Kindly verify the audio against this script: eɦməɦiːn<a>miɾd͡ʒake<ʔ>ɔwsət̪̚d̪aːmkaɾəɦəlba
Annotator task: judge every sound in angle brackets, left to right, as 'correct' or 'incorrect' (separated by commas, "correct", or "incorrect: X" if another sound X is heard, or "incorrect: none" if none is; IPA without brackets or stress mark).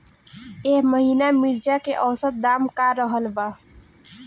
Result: correct, correct